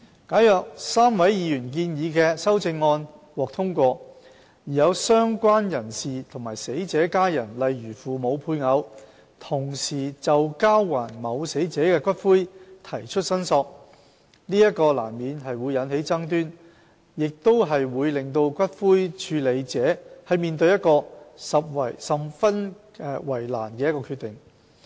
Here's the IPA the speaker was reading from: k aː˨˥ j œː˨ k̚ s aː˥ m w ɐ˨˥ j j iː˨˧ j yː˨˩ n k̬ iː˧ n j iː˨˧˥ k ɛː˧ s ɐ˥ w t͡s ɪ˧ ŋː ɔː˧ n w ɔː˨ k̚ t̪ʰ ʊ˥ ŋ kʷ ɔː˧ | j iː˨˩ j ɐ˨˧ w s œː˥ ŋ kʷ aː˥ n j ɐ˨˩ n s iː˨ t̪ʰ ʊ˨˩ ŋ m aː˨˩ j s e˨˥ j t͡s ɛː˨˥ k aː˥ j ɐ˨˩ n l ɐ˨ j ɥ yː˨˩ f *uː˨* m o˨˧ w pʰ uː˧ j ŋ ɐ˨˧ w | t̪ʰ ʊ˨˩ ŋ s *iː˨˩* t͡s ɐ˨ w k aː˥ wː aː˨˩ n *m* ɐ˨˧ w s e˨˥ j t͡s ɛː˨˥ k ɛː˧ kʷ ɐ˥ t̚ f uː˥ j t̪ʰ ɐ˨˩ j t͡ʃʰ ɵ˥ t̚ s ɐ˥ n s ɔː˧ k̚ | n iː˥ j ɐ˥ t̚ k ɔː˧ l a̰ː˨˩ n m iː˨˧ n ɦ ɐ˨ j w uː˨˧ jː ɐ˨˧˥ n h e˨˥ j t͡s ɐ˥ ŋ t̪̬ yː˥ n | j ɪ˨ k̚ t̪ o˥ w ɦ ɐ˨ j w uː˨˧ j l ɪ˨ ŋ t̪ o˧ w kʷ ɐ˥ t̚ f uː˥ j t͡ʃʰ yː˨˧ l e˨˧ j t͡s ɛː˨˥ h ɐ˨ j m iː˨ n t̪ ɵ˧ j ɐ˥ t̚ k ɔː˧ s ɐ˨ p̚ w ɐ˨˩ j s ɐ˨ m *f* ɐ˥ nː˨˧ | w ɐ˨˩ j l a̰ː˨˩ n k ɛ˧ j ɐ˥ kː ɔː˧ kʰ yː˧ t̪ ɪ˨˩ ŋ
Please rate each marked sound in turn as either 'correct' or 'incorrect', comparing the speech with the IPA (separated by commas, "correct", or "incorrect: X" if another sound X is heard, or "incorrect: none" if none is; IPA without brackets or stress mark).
correct, correct, correct, correct